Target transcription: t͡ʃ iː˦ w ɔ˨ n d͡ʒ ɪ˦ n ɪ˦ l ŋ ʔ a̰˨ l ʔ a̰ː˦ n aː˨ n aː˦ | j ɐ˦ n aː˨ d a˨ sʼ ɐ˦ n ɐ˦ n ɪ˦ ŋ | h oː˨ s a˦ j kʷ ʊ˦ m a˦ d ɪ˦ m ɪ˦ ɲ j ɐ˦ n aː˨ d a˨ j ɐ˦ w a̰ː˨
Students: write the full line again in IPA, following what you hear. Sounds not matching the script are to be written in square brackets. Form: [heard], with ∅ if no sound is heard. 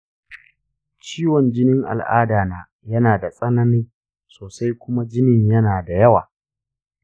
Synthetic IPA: t͡ʃ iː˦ w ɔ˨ n d͡ʒ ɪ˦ n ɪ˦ [∅] ŋ ʔ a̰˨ l ʔ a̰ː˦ [d] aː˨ n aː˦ | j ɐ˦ n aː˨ d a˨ sʼ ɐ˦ n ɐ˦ n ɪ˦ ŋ | [s] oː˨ s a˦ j kʷ ʊ˦ m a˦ [d͡ʒ] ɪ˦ [n] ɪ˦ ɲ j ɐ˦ n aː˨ d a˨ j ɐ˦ w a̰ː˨